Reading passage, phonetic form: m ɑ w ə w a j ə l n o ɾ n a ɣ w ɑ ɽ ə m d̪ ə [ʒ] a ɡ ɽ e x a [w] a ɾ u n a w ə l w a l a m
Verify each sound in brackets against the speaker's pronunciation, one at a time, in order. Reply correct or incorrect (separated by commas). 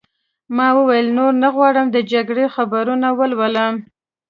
incorrect, incorrect